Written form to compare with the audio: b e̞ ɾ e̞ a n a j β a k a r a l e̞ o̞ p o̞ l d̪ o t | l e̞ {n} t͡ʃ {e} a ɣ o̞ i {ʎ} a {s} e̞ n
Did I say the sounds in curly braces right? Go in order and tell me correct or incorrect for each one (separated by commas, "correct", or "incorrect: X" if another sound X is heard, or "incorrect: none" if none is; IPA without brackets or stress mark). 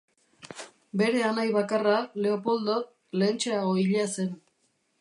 correct, correct, correct, correct